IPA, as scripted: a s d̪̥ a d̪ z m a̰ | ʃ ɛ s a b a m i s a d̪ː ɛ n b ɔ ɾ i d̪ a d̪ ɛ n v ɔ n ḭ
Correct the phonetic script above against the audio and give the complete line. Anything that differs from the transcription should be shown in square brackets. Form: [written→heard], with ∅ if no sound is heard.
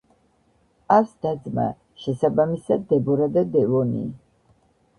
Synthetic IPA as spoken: a s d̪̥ a d̪ z m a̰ | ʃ ɛ s a b a m i s a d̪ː ɛ [n→∅] b ɔ ɾ [i→a] d̪ a d̪ ɛ [n→∅] v ɔ n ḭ